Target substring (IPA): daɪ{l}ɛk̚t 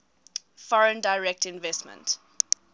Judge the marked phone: incorrect: ɹ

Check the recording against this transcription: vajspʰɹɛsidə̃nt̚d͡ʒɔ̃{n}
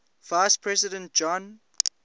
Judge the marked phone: correct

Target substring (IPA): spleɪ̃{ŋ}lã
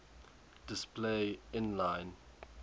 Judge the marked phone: incorrect: n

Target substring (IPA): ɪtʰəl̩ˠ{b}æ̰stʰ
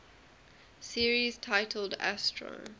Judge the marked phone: incorrect: d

